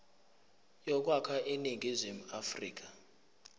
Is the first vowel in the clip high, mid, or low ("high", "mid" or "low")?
mid